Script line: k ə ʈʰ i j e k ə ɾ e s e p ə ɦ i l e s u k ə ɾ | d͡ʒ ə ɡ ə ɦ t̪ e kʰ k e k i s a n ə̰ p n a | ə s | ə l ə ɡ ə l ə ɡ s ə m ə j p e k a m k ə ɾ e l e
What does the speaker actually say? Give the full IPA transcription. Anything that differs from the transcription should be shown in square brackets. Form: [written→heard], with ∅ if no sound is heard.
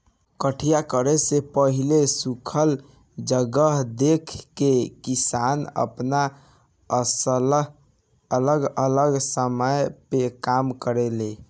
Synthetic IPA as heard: k ə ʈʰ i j [e→a] k ə ɾ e s e p ə ɦ i l e s u [k→kʰ] ə [ɾ→l] | d͡ʒ ə ɡ ə ɦ [t̪→d̪] e kʰ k e k i s a n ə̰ p n a | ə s | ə l ə ɡ ə l ə ɡ s ə m ə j p e k a m k ə ɾ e l e